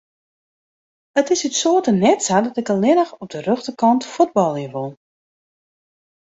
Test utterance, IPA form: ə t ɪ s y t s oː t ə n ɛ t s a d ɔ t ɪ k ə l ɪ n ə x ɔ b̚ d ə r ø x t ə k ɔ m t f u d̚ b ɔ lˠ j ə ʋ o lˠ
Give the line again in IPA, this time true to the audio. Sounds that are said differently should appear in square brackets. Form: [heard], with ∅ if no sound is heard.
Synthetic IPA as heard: ə t ɪ s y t s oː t ə n ɛ t s a d ɔ t ɪ k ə l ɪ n ə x ɔ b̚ d ə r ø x t ə k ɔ [n] t f u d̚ b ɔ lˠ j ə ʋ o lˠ